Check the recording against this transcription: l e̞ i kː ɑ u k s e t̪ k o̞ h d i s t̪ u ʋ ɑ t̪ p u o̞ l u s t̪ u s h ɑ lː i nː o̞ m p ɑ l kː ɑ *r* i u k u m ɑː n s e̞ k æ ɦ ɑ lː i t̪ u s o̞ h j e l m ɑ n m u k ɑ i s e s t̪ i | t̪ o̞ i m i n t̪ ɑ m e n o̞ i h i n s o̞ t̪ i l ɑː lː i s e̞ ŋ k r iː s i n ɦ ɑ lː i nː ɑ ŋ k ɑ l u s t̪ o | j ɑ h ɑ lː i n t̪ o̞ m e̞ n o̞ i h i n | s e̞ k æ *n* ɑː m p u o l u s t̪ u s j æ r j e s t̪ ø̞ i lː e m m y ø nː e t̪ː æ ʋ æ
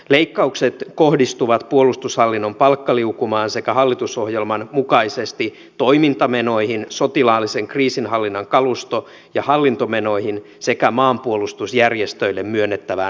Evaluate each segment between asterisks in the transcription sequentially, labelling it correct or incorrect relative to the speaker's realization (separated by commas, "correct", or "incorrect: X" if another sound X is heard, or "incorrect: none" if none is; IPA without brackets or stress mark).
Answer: incorrect: l, incorrect: m